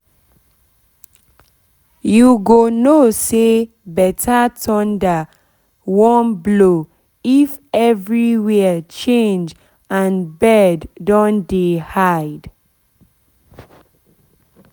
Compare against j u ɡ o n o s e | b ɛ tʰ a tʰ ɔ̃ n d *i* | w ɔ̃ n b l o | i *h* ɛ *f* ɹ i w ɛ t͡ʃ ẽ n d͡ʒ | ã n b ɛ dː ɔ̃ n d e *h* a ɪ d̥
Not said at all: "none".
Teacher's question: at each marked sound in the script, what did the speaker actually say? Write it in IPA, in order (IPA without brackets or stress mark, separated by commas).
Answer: a, f, v, h